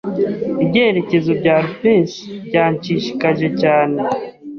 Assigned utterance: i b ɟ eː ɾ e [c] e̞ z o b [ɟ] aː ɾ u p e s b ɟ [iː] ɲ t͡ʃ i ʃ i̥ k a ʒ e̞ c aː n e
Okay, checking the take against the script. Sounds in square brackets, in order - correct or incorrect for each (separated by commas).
correct, correct, incorrect